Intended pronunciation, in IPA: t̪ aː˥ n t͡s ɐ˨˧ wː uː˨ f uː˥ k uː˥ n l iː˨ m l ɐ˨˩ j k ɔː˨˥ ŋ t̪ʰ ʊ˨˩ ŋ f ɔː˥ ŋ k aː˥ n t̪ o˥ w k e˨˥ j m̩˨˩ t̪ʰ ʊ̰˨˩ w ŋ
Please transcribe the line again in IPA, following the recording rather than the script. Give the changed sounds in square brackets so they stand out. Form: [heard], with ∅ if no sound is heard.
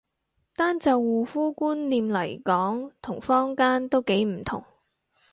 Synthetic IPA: t̪ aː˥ n t͡s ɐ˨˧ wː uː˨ f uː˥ k uː˥ n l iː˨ m l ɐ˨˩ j k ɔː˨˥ ŋ t̪ʰ ʊ˨˩ ŋ f ɔː˥ ŋ k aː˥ n t̪ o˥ w k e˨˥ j m̩˨˩ t̪ʰ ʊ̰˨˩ [∅] ŋ